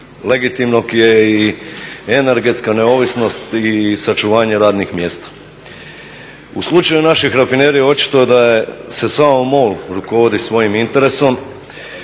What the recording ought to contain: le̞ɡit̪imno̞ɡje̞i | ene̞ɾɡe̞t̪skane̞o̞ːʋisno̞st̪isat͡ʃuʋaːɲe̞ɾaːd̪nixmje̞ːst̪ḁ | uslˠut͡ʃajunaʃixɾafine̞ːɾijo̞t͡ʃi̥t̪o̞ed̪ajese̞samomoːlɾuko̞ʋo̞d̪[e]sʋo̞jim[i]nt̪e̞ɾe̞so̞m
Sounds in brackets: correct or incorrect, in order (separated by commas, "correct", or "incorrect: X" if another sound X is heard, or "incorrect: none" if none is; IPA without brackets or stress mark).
incorrect: i, correct